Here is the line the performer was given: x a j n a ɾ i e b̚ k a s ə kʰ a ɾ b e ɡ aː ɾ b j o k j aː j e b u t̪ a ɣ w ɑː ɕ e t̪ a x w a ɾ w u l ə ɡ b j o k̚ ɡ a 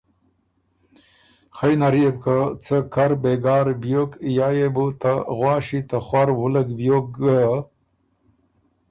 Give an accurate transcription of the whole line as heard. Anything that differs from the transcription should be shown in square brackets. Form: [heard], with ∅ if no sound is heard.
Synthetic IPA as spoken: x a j n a ɾ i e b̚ k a [t͡s] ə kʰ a ɾ b e ɡ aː ɾ b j o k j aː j e b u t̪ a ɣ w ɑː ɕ [i] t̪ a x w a ɾ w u l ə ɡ b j o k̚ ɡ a